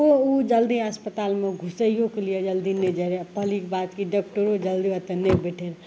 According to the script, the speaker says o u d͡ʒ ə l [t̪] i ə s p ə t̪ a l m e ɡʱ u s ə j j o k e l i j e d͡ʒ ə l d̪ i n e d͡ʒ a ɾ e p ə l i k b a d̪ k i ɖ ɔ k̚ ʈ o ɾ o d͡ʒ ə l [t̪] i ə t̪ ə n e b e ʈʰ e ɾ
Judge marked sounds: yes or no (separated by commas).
no, no